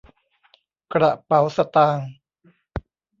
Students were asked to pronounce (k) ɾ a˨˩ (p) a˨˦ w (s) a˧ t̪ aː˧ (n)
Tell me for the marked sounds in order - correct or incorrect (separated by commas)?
correct, correct, correct, incorrect